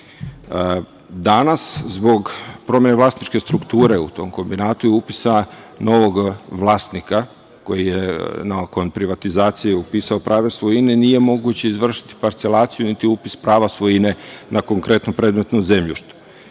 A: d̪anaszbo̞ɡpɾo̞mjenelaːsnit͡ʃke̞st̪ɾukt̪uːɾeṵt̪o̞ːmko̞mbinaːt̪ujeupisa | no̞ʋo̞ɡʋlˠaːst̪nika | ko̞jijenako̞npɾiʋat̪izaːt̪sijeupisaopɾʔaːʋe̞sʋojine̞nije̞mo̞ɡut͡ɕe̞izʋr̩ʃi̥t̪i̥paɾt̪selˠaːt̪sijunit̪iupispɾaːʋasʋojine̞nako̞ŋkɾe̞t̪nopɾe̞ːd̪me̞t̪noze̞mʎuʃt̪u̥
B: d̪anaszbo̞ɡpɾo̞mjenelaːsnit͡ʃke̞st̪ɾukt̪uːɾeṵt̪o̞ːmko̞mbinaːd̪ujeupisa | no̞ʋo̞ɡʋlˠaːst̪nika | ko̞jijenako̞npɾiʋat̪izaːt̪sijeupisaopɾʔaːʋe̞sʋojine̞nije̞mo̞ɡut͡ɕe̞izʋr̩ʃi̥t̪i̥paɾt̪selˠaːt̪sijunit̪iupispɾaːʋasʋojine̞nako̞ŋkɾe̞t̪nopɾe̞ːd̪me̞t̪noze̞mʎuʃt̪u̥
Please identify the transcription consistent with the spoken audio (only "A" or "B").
A